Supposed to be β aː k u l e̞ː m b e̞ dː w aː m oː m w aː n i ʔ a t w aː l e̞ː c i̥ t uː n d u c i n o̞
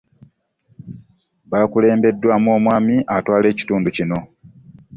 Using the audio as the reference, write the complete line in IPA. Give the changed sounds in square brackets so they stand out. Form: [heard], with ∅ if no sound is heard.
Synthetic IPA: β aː k u l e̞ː m b e̞ dː w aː m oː m w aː [m] i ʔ a t w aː l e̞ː c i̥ t uː n d u c i n o̞